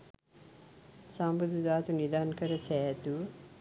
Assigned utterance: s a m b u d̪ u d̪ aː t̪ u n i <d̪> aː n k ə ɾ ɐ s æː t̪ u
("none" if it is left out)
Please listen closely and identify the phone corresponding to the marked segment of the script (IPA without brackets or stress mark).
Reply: d̪